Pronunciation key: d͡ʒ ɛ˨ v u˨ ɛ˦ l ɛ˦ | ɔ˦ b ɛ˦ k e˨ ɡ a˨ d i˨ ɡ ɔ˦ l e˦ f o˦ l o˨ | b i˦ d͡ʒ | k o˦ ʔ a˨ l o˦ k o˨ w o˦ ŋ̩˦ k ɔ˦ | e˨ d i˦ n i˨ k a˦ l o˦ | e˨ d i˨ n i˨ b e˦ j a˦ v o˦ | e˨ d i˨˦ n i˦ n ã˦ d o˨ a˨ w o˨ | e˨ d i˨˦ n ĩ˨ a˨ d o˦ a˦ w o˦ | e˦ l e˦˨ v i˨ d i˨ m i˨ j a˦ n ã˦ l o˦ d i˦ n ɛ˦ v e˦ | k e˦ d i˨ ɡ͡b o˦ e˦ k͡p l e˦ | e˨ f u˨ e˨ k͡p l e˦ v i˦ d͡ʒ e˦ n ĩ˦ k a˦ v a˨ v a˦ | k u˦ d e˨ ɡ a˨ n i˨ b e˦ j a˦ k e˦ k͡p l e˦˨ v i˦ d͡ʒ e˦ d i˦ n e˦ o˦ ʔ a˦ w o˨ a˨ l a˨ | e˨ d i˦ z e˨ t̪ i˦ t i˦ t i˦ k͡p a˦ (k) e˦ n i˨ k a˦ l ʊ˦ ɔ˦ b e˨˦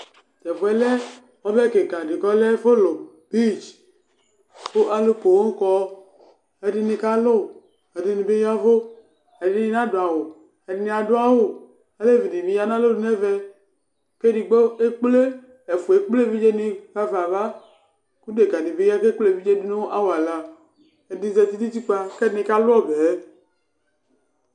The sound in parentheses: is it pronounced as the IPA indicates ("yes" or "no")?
yes